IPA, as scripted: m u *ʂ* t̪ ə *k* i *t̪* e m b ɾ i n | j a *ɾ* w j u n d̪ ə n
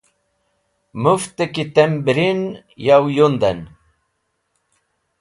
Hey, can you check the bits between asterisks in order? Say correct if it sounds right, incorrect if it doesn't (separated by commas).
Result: incorrect, correct, correct, incorrect